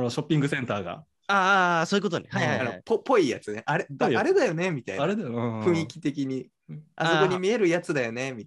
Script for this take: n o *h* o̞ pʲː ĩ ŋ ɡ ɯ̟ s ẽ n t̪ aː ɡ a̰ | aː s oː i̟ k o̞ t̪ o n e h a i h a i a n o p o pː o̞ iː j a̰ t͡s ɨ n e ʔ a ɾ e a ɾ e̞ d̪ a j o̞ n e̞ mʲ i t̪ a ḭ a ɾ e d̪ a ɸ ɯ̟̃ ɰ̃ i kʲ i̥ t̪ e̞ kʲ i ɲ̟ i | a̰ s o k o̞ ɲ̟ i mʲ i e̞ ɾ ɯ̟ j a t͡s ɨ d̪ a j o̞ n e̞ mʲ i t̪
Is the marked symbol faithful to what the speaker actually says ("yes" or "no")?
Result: no